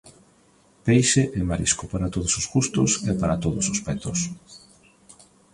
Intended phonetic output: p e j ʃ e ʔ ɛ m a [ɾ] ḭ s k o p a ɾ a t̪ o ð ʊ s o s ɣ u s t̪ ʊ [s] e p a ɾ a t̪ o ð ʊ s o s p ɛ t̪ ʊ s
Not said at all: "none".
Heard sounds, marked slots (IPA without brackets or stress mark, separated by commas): ɾ, s